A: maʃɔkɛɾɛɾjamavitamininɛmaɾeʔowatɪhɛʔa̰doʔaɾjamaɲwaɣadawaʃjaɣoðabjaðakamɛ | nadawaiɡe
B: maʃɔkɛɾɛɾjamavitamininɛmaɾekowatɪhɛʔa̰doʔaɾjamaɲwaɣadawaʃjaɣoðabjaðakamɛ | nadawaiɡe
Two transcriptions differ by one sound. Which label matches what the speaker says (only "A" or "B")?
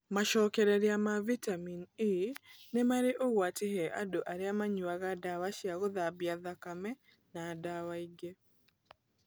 A